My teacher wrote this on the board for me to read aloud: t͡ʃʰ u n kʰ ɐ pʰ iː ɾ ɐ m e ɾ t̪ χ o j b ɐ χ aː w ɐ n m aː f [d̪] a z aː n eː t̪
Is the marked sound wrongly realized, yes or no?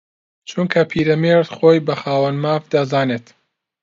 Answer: no